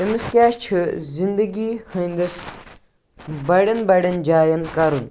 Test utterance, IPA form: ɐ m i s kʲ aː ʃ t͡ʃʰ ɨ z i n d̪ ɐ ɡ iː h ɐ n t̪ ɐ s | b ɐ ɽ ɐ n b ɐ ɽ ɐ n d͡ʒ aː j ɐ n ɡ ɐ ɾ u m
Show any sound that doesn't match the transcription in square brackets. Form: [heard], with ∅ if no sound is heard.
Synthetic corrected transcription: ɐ m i s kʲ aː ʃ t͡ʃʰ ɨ z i n d̪ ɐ ɡ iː h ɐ n [d̪] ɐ s | b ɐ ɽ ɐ n b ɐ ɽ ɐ n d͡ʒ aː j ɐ n [k] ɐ ɾ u [n]